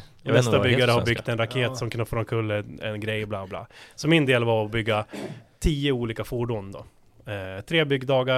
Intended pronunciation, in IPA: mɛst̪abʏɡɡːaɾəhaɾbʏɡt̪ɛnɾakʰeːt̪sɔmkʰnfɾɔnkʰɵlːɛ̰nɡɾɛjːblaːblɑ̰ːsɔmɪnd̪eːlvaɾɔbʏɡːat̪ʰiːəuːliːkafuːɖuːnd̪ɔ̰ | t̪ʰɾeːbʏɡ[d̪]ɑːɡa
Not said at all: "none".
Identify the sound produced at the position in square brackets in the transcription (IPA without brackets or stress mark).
d̪